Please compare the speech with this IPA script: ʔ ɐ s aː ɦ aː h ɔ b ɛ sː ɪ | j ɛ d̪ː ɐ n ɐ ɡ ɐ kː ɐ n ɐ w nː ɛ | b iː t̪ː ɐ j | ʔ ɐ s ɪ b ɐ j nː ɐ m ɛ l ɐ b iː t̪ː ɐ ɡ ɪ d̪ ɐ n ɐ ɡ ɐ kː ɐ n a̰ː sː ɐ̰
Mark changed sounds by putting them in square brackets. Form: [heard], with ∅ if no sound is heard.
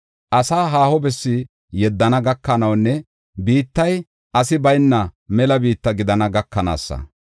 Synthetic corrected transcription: ʔ ɐ s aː ɦ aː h ɔ b ɛ sː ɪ | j ɛ d̪ː ɐ n ɐ ɡ ɐ kː ɐ n ɐ w nː ɛ | b iː t̪ː ɐ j | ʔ ɐ s ɪ b ɐ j nː ɐ m ɛ l ɐ b iː t̪ː ɐ ɡ ɪ d̪ ɐ n ɐ ɡ ɐ kː ɐ n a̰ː sː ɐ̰